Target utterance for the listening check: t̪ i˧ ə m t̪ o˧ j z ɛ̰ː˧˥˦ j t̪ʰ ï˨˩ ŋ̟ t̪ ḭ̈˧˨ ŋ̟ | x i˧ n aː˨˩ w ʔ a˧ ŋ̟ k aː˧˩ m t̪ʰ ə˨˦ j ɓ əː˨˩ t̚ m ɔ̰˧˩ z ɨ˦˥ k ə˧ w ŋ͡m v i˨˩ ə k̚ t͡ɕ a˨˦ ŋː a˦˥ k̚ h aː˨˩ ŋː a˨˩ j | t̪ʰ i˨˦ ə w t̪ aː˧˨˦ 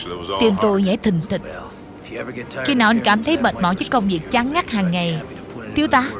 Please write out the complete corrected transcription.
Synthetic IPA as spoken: t̪ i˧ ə m t̪ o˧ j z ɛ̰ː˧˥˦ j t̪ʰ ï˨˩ ŋ̟ t̪ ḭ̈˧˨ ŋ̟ | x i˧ n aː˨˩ w ʔ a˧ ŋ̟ k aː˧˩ m t̪ʰ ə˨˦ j ɓ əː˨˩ t̚ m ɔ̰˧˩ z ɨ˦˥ k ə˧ w ŋ͡m v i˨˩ ə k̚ t͡ɕ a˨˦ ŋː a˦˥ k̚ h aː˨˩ ŋː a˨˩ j | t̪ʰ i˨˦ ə w t̪ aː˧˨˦